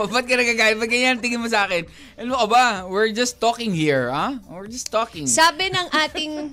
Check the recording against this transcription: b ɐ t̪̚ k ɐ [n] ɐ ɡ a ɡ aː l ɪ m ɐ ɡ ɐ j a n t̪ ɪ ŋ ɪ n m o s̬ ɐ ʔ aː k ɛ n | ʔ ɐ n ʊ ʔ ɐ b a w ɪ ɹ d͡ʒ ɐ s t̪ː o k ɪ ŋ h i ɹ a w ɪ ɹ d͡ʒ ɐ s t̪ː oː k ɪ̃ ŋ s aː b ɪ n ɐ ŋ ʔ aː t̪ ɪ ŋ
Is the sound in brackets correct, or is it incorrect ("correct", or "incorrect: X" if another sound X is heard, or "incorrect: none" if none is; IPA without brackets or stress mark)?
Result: correct